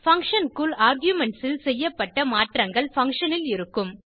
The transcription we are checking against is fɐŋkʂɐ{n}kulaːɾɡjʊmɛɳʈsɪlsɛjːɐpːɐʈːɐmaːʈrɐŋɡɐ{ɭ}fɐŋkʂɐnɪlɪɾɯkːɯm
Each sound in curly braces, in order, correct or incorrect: correct, correct

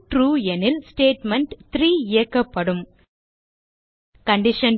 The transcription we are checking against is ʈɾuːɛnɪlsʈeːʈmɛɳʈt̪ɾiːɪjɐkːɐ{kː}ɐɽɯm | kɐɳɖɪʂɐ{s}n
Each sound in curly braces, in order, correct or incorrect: incorrect, incorrect

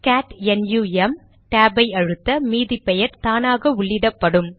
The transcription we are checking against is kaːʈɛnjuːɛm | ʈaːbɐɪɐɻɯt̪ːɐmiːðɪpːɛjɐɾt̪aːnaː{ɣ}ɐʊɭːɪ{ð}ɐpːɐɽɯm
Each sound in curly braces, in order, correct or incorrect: correct, correct

